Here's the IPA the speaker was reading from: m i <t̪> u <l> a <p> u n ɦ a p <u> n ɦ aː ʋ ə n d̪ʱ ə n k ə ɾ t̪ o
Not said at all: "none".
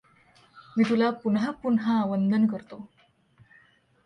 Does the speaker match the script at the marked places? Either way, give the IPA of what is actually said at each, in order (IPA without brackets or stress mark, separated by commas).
t̪, l, p, u